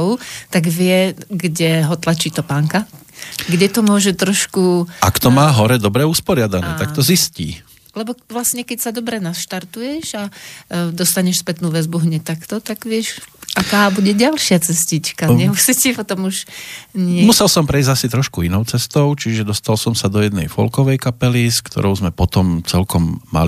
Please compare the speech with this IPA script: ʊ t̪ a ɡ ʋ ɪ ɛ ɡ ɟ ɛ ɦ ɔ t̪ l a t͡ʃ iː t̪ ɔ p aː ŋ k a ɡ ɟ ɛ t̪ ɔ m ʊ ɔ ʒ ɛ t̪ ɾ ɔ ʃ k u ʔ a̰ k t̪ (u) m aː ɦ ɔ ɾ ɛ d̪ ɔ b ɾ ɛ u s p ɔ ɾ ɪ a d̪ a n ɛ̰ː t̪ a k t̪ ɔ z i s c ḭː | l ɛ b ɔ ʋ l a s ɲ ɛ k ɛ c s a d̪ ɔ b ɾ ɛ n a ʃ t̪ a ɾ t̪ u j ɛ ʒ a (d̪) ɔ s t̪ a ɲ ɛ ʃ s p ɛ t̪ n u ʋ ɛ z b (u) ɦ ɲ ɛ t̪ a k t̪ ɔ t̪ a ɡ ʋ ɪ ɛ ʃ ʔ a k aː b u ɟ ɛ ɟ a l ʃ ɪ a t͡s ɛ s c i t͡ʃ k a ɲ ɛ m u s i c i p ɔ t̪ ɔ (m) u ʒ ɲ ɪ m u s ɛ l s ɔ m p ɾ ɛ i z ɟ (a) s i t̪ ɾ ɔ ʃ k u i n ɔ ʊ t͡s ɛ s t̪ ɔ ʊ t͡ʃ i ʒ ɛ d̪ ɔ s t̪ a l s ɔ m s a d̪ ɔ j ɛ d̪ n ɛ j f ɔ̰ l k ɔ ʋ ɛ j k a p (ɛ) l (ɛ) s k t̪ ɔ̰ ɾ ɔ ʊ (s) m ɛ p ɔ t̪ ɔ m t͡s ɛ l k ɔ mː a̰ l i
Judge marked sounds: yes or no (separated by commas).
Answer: no, yes, yes, yes, yes, yes, no, no